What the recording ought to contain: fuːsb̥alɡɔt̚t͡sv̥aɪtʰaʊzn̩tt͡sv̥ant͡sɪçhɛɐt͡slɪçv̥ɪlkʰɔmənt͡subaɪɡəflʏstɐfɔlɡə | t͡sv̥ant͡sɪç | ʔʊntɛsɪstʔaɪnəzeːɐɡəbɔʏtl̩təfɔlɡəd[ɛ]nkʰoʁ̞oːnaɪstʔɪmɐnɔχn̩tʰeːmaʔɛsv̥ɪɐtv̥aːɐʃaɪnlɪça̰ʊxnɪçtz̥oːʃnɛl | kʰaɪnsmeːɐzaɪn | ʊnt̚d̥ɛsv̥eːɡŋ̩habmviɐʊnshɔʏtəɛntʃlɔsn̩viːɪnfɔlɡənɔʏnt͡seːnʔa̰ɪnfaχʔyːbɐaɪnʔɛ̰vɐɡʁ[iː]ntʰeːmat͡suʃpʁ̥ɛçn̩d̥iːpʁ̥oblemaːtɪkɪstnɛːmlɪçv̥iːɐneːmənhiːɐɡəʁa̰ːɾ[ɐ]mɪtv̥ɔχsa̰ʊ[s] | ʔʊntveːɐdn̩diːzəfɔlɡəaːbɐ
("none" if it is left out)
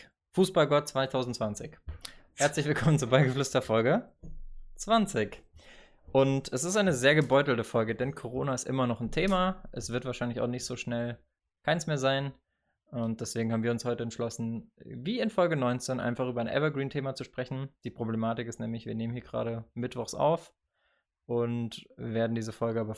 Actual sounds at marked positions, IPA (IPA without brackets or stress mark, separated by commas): ɛ, iː, ə, f